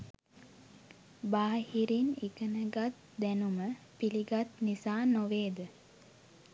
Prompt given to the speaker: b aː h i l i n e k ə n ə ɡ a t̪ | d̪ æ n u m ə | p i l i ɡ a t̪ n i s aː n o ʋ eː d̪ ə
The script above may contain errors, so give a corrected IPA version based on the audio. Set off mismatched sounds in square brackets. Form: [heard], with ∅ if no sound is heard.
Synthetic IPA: b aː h i [ɾ] i n [i] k ə n ə ɡ a t̪ | d̪ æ n u m ə | p i l i ɡ a t̪ n i s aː n o ʋ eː d̪ ə